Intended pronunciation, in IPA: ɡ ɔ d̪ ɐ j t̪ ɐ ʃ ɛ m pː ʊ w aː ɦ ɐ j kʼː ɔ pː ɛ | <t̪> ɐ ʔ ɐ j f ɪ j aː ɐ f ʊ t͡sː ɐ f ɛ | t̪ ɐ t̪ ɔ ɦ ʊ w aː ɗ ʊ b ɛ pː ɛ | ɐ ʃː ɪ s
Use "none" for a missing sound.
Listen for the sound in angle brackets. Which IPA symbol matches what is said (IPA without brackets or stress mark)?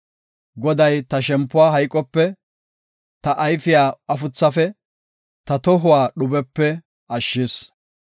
t̪